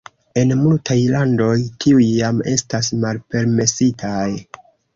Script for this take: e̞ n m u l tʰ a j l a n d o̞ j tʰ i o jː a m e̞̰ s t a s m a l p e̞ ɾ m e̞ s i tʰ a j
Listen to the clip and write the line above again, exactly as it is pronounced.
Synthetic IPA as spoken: e̞ n m u l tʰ a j l a n d o̞ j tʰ i u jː a m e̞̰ s t a s m a l p e̞ ɾ m e̞ s i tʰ a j